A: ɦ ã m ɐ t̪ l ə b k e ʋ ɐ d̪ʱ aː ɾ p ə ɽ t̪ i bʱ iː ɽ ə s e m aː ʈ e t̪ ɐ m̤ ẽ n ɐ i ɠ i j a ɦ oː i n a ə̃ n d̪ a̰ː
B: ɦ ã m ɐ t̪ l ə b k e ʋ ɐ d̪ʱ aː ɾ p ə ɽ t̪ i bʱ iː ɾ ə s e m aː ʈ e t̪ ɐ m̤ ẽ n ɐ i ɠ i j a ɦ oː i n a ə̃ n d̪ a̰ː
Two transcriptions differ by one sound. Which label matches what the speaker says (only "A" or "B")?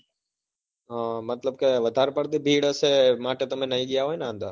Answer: A